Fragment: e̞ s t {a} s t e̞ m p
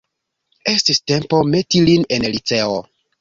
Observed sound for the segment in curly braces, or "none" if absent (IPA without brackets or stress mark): i